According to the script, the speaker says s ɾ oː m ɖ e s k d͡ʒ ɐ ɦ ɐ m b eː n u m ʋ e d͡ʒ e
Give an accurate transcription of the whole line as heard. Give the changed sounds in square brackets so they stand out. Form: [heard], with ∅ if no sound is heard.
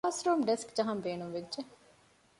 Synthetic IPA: s ɾ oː m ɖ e s k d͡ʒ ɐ ɦ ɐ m b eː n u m ʋ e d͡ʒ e